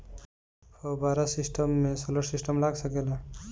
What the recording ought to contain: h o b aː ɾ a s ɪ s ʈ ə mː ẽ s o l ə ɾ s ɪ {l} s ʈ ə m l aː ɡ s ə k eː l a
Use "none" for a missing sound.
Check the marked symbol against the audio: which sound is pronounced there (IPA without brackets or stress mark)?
none